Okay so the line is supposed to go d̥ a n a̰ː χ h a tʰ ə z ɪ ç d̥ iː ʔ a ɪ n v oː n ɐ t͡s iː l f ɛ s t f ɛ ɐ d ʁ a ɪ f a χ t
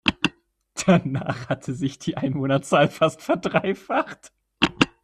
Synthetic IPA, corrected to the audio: d̥ a n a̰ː χ h a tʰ ə z ɪ ç d̥ iː ʔ a ɪ n v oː n ɐ t͡s aː l f a s t f ɛ ɐ d ʁ a ɪ f a χ t